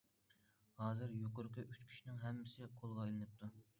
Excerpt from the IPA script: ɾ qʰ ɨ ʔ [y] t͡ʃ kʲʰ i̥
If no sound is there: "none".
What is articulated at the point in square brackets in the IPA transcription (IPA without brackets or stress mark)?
y